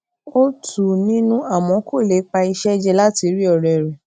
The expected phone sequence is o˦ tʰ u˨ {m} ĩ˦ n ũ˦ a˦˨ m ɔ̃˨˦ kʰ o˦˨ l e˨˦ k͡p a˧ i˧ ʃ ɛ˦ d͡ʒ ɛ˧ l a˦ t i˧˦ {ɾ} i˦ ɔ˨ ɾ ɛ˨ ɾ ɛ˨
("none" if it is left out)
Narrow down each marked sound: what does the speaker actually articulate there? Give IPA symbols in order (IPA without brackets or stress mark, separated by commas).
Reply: n, ɾ